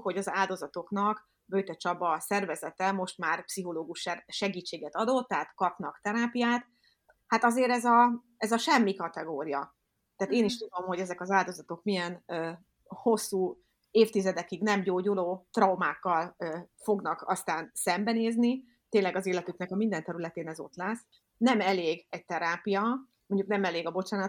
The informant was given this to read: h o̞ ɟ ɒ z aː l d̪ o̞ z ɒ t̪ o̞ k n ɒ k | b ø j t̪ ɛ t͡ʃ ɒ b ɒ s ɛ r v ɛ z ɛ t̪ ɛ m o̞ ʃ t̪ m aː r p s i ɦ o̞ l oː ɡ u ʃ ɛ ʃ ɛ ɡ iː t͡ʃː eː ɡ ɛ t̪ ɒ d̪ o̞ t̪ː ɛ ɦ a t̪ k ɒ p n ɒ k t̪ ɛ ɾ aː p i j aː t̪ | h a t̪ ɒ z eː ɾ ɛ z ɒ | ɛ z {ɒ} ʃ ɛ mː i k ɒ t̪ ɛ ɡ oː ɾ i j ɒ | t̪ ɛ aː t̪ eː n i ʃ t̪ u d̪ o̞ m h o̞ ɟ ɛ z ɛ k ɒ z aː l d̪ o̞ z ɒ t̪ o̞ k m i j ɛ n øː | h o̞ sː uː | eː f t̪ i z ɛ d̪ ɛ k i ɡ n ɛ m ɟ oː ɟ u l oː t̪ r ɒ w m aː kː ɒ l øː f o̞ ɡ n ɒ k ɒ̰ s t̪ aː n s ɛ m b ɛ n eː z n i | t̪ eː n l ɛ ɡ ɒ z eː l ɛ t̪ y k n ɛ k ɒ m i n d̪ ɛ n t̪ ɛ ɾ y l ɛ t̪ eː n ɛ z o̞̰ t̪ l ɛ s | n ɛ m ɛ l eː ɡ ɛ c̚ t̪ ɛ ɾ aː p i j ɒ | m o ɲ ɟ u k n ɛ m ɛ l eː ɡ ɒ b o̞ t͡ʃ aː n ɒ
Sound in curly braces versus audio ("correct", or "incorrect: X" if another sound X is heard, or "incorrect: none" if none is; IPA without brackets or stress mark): correct